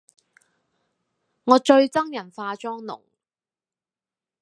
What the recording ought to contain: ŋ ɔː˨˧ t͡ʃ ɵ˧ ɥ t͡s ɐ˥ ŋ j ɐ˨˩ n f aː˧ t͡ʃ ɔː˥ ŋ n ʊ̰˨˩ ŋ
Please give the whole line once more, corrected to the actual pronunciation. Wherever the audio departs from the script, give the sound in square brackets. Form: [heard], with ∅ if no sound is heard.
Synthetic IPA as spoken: ŋ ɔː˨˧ t͡ʃ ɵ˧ ɥ t͡s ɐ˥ ŋ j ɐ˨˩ n f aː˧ t͡ʃ ɔː˥ ŋ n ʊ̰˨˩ ŋ